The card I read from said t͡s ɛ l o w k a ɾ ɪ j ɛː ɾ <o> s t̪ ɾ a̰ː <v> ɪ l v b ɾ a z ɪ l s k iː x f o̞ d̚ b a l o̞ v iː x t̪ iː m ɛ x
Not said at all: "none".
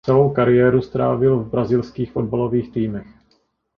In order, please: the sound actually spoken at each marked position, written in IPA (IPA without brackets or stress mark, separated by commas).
u, v